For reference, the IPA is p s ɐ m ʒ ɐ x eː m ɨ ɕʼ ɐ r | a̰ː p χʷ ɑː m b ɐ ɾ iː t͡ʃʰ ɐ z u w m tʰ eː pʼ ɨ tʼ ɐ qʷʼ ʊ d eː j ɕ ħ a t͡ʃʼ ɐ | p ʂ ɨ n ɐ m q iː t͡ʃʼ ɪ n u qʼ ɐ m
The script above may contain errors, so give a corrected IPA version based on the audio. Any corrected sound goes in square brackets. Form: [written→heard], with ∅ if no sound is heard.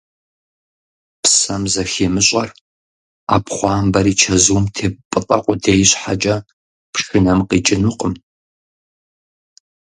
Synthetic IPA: p s ɐ m [ʒ→z] ɐ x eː m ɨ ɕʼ ɐ r | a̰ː p χʷ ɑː m b ɐ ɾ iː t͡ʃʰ ɐ z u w m tʰ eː pʼ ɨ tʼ ɐ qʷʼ ʊ d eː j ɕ ħ a t͡ʃʼ ɐ | p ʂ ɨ n ɐ m q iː t͡ʃʼ ɪ n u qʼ [ɐ→ə] m